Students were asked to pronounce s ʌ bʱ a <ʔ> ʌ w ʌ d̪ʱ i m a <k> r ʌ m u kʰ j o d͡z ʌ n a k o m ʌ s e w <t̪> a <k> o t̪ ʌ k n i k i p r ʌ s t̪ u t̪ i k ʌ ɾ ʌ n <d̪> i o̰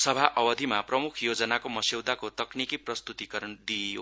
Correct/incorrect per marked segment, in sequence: correct, incorrect, incorrect, correct, correct

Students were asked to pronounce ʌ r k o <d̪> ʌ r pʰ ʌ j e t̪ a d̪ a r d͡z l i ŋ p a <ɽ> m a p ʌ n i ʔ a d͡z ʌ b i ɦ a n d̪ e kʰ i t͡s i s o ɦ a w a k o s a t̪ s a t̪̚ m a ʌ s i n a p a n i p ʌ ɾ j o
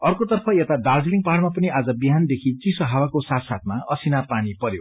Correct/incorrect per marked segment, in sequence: incorrect, correct

